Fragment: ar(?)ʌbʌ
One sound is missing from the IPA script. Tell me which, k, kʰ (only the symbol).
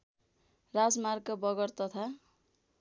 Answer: k